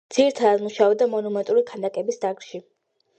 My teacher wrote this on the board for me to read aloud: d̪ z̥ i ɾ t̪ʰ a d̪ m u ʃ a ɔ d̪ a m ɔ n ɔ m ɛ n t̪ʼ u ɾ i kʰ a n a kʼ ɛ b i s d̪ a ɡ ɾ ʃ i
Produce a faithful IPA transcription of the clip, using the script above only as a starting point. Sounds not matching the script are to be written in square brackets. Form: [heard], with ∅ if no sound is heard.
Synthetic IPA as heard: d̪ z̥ i ɾ t̪ʰ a d̪ m u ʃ a ɔ d̪ a m ɔ n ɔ m ɛ n t̪ʼ u ɾ i kʰ a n a kʼ ɛ b i s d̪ a ɡ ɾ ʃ i